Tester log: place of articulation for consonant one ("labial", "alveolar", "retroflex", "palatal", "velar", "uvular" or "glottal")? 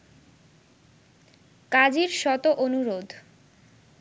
velar